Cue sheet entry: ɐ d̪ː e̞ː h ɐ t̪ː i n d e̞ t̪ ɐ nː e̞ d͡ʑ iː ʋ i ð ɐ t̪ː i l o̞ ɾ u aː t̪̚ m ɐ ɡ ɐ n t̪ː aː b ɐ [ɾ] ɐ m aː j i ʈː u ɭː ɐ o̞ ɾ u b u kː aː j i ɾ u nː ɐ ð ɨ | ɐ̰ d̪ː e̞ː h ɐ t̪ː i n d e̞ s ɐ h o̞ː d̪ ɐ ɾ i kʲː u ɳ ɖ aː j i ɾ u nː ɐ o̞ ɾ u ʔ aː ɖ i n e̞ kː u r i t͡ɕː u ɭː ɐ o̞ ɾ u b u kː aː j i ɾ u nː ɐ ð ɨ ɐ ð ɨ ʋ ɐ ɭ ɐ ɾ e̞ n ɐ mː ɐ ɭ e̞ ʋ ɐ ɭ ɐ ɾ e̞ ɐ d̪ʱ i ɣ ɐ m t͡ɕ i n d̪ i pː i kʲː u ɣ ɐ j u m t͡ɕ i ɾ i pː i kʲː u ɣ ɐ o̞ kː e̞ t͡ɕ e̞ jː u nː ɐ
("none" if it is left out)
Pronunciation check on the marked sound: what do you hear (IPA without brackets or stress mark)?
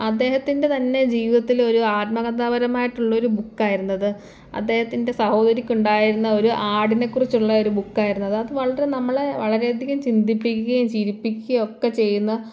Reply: ɾ